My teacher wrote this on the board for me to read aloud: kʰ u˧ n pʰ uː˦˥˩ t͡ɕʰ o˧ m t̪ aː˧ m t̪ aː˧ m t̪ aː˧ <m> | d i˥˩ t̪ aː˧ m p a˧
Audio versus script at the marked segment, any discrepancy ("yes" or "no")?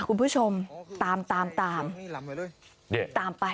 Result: no